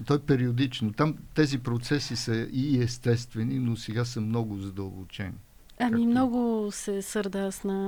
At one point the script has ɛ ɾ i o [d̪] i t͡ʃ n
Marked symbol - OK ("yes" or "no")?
yes